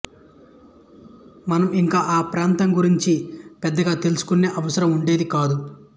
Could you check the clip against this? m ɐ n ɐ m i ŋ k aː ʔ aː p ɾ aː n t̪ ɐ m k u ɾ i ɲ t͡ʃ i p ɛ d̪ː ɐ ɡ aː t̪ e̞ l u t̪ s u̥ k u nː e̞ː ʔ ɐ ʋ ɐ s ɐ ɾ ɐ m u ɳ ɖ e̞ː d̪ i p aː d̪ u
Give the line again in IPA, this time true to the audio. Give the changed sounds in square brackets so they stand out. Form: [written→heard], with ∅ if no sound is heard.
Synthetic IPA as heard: m ɐ n ɐ m i ŋ k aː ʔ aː p ɾ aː n t̪ ɐ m [k→ɡ] u ɾ i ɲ t͡ʃ i p ɛ d̪ː ɐ ɡ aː t̪ e̞ l u [t̪→∅] s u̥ k u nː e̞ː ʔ ɐ ʋ ɐ s ɐ ɾ ɐ m u ɳ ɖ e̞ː d̪ i [p→k] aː d̪ u